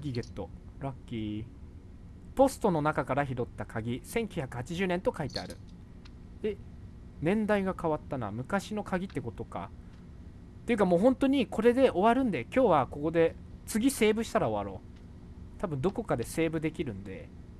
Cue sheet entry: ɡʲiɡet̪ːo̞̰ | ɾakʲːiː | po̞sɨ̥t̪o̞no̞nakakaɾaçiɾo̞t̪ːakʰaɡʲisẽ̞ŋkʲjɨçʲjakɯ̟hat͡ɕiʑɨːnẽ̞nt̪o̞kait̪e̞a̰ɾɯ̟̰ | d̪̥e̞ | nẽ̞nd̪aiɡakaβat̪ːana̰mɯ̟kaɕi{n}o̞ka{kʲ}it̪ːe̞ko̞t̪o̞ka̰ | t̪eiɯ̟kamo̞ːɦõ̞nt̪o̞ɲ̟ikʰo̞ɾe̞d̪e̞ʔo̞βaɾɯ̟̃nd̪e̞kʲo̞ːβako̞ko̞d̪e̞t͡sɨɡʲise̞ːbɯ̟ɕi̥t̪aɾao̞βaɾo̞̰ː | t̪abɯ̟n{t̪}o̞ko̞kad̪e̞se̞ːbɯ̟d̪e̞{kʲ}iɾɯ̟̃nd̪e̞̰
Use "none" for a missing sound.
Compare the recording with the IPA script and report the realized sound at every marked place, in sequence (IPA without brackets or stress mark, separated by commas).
n, ɡʲ, d̪, kʲ